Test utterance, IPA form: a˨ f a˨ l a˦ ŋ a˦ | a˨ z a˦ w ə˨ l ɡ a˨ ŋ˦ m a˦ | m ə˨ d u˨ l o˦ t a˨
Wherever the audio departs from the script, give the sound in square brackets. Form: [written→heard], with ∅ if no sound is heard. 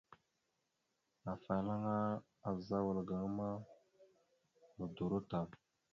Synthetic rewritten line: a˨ f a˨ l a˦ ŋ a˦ | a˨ z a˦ w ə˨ l ɡ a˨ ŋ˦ m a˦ | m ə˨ d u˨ [l→ɾ] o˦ t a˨